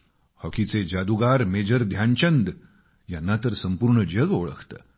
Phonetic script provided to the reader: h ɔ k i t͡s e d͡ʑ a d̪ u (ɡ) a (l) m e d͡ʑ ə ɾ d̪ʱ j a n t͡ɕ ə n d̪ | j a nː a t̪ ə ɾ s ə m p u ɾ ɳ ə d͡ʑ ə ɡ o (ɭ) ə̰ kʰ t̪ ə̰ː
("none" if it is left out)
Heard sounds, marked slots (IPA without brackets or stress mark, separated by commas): ɡ, ɾ, ɭ